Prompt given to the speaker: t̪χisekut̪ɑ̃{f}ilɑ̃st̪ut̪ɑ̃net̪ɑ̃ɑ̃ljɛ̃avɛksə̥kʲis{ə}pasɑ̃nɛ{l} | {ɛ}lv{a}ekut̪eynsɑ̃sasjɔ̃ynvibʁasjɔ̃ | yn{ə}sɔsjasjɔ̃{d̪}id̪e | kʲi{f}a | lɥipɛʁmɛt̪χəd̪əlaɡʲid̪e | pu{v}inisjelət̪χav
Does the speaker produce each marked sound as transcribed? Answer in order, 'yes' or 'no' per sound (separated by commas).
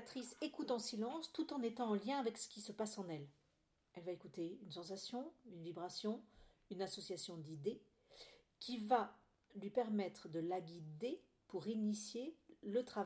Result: no, yes, yes, yes, yes, no, yes, no, no